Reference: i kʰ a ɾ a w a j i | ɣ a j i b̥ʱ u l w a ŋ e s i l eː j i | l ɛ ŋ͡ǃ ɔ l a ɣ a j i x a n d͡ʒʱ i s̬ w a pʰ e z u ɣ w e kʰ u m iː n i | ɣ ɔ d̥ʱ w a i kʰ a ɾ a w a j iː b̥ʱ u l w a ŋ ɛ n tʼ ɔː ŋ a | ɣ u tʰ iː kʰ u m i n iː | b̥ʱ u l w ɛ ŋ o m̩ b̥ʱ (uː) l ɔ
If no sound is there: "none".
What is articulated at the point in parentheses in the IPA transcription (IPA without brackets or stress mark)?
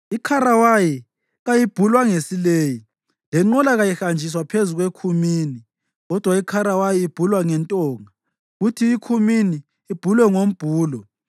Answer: uː